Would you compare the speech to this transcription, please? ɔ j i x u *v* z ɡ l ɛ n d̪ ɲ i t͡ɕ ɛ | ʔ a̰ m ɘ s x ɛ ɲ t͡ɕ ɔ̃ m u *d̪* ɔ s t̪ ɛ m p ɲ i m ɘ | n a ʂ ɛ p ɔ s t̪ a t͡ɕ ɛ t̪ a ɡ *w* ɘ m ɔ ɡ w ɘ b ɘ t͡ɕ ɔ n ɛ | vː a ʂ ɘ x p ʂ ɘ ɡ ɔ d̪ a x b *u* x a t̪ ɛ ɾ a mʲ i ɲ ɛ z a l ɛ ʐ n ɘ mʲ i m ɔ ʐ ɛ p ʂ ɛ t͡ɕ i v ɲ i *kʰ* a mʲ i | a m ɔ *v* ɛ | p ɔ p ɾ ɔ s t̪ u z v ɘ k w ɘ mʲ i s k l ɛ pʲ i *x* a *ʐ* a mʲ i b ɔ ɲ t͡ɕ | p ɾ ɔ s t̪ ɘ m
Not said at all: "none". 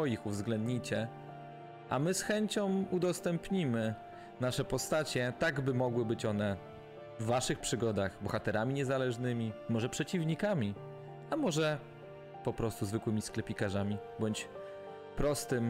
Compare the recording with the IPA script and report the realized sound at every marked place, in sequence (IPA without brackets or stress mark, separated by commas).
v, d̪, b, ɔ, k, ʐ, k, ʐ